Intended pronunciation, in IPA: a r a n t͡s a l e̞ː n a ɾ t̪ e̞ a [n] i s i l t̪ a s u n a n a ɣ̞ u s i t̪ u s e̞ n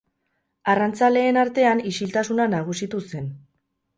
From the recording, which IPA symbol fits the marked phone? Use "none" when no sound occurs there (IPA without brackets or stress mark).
n